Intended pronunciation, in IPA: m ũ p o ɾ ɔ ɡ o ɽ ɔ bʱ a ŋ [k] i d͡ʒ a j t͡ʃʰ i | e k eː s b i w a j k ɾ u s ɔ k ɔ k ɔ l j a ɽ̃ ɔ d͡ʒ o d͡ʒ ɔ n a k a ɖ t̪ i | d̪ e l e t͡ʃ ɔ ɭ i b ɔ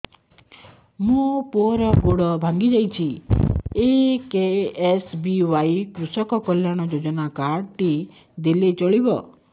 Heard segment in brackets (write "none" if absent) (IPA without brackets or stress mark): ɡ